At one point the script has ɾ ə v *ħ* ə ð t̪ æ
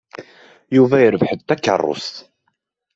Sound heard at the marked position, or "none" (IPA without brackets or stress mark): ħ